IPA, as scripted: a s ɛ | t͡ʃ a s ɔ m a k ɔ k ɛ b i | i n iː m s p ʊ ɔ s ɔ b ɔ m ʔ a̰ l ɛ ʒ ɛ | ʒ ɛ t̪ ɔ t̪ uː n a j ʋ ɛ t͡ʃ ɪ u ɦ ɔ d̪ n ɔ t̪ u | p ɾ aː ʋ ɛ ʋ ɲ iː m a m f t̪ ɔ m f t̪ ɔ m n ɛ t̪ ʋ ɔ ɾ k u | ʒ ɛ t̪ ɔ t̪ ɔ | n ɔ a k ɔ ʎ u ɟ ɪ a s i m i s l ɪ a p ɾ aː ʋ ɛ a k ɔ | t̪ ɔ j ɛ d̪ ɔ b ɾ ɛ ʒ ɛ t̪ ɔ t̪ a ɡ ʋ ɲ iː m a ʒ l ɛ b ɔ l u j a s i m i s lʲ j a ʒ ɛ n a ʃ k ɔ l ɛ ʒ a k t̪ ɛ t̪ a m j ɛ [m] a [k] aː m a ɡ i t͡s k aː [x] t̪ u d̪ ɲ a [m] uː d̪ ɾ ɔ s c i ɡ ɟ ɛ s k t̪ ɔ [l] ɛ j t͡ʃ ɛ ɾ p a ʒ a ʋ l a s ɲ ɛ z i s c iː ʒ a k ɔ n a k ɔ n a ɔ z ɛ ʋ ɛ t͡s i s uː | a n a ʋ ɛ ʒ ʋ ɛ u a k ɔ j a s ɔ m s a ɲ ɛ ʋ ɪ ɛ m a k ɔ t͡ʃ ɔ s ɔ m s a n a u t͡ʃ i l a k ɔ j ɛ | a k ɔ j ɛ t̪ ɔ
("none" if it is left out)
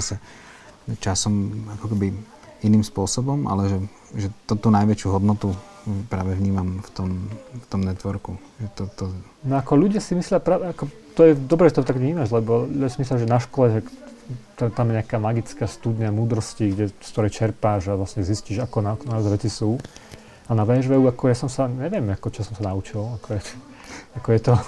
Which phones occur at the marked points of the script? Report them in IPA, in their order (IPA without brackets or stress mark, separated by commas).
ɲ, k, s, m, ɾ